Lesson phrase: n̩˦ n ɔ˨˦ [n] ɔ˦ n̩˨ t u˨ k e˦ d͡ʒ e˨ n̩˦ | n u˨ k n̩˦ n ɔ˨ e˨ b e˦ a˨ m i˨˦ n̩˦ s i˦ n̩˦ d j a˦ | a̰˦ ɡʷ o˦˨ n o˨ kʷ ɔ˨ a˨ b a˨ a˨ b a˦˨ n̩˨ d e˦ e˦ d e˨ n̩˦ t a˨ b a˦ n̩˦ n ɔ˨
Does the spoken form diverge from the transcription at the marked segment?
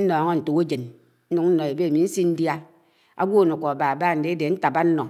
yes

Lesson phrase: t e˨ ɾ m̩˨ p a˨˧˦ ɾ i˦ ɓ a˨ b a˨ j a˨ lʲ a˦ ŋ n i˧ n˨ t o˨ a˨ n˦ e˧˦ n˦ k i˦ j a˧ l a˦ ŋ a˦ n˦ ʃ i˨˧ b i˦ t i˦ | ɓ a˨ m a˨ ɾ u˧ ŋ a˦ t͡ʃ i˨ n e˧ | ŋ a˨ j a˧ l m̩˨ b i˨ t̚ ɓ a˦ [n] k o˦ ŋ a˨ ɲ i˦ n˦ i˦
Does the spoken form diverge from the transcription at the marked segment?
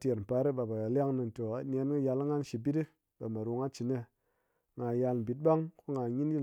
yes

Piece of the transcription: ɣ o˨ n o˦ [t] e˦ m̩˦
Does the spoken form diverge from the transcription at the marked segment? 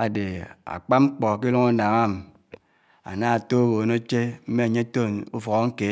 yes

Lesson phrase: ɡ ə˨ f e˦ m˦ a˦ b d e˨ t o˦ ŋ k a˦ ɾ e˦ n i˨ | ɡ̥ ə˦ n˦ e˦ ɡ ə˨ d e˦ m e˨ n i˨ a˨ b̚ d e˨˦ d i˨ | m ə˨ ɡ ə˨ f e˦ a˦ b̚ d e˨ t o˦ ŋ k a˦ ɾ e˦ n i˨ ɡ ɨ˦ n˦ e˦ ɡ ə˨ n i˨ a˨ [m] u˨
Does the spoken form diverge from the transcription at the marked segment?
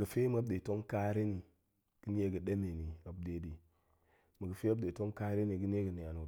yes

